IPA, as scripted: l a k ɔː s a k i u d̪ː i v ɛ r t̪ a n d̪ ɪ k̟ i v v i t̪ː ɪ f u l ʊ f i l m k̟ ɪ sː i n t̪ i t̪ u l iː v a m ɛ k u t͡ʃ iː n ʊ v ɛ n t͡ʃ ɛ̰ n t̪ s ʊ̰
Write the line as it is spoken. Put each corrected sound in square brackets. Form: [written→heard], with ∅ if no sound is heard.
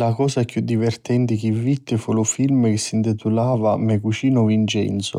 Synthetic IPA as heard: l a k ɔː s a k [i→j] u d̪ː i v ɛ r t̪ [a→ɛ] n [d̪→t̪] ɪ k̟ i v v i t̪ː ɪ f u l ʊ f i l m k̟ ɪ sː i n t̪ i t̪ u l [iː→aː] v a m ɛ k u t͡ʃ iː n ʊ v [ɛ→i] n t͡ʃ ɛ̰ n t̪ s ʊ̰